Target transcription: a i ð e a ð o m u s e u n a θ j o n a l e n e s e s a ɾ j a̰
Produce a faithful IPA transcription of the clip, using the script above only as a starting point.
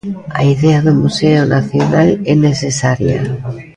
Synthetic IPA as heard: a i ð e a ð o m u s e o n a θ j o n a l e n e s e s a ɾ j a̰

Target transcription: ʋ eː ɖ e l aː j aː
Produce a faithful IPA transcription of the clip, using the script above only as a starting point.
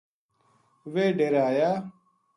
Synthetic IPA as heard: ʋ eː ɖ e ɾ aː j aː

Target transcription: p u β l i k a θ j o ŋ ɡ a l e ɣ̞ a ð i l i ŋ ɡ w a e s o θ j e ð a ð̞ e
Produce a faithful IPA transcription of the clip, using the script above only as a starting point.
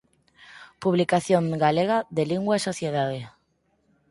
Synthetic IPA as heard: p u β l i k a θ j o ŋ ɡ a l e ɣ̞ a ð e l i ŋ ɡ w a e s o θ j e ð a ð̞ e

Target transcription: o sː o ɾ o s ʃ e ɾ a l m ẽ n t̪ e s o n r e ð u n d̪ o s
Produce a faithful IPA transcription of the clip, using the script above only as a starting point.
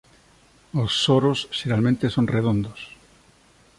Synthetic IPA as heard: o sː o ɾ o s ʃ e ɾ a l m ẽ n t̪ e s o n r e ð o n d̪ o s

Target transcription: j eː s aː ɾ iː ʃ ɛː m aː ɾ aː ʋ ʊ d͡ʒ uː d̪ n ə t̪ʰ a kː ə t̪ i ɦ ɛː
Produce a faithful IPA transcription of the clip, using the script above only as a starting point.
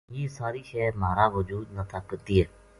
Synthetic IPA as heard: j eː s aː ɾ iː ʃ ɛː m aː ɾ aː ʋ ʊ d͡ʒ uː d̪ n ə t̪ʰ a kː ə t̪ i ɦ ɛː

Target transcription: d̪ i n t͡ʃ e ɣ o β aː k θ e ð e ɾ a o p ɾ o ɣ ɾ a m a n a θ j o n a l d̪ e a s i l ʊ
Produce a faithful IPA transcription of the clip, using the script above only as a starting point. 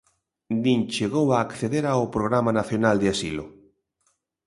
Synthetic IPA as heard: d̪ i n t͡ʃ e ɣ o w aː k θ e ð e ɾ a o p ɾ o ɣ ɾ a m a n a θ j o n a l d̪ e a s i l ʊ

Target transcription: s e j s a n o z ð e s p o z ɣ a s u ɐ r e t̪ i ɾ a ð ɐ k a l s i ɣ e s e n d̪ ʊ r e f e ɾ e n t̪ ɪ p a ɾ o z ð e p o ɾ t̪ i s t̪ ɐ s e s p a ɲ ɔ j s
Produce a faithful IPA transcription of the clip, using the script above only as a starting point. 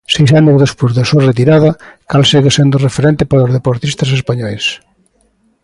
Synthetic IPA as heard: s e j s a n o z ð e s p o z ð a s u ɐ r e t̪ i ɾ a ð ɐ k a l s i ɣ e s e n d̪ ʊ r e f e ɾ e n t̪ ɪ p a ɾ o z ð e p o ɾ t̪ i s t̪ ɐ s e s p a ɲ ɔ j s

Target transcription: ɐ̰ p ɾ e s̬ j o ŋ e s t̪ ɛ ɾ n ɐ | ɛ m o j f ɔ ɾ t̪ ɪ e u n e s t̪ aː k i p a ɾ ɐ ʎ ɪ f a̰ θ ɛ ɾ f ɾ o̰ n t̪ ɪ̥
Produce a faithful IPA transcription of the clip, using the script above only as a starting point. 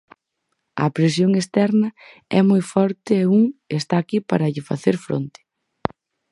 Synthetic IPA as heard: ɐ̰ p ɾ e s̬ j o ŋ e s t̪ ɛ ɾ n ɐ | ɛ m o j f ɔ ɾ t̪ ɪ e u ŋ e s t̪ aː k i p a ɾ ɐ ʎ ɪ f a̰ θ e ɾ f ɾ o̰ n t̪ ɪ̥

